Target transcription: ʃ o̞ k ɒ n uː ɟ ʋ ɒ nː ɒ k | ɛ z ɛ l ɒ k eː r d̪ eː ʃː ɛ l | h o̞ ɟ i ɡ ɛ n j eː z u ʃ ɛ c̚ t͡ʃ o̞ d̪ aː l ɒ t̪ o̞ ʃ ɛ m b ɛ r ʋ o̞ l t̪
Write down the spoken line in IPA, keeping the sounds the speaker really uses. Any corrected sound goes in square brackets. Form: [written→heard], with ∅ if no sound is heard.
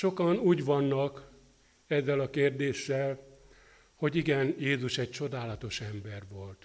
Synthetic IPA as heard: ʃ o̞ k ɒ n uː ɟ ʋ ɒ nː ɒ k | ɛ [z→zː] ɛ l ɒ k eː r d̪ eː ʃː ɛ l | h o̞ ɟ i ɡ ɛ n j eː z u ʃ ɛ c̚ t͡ʃ o̞ d̪ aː l ɒ t̪ o̞ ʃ ɛ m b ɛ r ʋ o̞ l t̪